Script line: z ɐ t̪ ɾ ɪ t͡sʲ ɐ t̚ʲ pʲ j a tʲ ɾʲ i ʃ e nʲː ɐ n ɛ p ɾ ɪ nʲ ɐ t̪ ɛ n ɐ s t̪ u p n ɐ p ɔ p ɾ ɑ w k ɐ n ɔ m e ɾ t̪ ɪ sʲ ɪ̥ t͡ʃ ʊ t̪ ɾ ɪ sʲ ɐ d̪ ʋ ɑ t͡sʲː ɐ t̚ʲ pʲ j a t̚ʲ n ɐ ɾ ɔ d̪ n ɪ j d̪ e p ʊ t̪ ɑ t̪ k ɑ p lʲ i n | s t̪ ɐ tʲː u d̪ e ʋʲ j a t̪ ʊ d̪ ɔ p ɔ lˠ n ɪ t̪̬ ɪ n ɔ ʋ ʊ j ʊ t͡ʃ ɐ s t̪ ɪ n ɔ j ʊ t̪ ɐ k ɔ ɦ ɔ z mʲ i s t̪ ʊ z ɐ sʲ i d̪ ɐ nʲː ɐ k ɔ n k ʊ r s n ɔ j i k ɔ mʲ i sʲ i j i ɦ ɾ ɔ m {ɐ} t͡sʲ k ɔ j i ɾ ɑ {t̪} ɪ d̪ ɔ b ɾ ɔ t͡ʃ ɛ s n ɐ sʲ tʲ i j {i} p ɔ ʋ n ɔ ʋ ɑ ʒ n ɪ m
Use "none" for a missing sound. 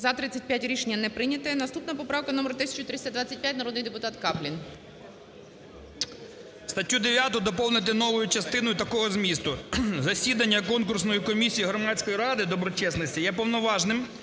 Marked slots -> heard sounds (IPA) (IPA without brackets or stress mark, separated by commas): ɑ, d̪, ɛ